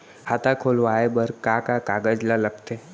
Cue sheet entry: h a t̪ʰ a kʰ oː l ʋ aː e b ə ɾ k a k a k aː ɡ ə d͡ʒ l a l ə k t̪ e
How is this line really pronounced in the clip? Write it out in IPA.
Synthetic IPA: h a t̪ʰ a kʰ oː l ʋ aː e b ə ɾ k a k a k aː ɡ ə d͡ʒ l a l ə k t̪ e